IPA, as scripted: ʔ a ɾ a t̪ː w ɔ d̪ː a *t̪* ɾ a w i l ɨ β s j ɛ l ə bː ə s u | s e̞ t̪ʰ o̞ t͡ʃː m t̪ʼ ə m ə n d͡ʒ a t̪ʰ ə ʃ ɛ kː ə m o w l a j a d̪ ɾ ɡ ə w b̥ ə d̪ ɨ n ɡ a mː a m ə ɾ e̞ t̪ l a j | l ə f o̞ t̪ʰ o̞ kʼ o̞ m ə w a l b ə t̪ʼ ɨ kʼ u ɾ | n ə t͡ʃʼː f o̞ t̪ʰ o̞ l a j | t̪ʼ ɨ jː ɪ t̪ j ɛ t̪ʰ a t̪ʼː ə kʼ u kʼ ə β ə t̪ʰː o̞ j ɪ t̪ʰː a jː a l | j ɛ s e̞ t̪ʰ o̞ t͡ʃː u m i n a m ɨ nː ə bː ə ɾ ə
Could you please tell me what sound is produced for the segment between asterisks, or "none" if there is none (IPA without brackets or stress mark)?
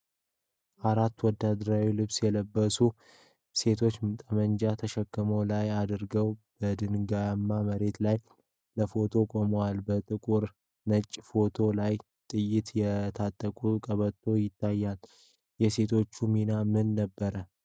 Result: d̪